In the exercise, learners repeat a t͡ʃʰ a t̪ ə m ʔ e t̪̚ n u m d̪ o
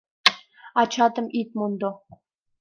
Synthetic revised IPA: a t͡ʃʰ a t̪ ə m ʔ i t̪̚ m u n d̪ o